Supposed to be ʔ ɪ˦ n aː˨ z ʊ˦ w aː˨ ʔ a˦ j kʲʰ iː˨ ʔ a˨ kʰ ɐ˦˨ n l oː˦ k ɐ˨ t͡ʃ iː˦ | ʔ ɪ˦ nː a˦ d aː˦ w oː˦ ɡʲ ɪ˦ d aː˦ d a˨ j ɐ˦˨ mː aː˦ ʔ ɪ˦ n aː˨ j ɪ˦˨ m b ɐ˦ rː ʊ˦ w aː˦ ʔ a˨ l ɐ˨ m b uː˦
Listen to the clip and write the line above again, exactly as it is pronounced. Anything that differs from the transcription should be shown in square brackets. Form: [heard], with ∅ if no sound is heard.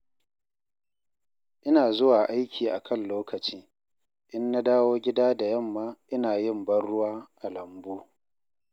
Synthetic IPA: ʔ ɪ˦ n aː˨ z ʊ˦ w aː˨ ʔ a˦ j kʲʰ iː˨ ʔ a˨ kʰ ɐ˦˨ n l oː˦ k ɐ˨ t͡ʃ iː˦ | ʔ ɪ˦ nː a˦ d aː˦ w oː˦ ɡʲ ɪ˦ d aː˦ d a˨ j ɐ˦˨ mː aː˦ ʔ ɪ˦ n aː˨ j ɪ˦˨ m b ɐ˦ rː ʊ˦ w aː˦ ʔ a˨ l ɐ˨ m b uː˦